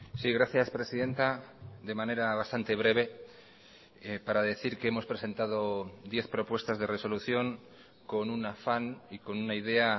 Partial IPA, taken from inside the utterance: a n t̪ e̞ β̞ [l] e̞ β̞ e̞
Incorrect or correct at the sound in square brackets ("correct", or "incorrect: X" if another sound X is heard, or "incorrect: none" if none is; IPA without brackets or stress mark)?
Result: incorrect: ɾ